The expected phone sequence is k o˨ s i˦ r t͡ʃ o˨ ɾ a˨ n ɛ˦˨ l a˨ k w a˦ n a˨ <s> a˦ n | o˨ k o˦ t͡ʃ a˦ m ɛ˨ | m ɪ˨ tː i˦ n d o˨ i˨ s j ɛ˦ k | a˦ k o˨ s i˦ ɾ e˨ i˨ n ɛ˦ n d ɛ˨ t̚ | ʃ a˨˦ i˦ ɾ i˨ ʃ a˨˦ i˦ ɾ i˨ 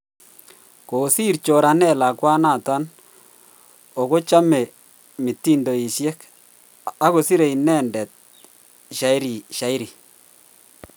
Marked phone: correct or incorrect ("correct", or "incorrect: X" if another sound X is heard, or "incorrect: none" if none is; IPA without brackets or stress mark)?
incorrect: t